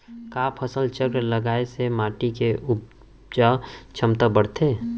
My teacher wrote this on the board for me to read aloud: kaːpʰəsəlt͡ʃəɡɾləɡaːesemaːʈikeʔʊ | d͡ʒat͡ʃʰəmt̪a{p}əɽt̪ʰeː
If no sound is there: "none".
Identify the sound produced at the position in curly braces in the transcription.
b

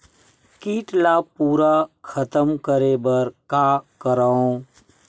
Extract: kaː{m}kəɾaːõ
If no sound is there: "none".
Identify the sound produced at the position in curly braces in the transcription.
none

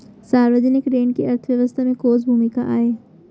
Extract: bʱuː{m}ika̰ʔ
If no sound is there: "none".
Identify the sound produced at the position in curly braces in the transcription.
m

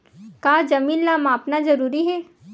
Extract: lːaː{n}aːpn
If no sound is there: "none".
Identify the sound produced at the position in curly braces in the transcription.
m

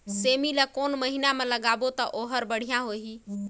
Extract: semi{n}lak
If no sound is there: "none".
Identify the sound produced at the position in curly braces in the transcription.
none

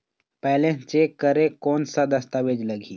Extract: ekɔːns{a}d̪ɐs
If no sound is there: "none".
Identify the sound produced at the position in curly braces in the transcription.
a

